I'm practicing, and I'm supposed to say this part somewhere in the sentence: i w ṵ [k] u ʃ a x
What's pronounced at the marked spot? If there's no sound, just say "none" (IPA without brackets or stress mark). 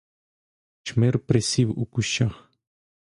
k